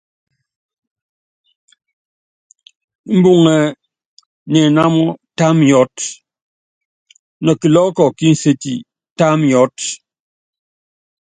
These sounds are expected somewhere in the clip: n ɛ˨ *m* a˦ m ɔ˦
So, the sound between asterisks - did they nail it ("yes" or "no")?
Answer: no